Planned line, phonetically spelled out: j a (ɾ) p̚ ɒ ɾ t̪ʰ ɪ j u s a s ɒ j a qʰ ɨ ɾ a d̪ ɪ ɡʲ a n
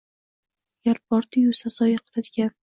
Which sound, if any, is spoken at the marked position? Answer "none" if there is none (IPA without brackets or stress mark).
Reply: ɾ